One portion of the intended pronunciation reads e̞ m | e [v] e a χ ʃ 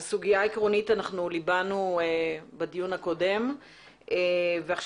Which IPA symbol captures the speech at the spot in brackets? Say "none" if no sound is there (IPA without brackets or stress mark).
v